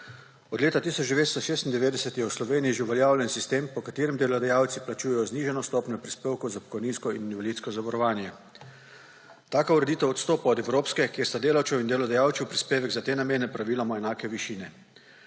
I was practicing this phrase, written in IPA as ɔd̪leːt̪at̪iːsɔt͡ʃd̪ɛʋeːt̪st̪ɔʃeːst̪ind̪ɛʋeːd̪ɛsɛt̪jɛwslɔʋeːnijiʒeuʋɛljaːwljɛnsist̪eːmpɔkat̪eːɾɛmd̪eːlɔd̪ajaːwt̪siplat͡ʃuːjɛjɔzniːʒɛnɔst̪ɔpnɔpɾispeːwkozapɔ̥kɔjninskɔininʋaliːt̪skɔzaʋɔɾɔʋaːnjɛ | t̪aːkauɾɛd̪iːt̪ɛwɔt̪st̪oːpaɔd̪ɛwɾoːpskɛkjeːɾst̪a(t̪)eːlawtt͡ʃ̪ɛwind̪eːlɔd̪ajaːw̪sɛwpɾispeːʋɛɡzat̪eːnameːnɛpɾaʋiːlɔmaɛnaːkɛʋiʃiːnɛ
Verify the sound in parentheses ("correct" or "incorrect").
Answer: incorrect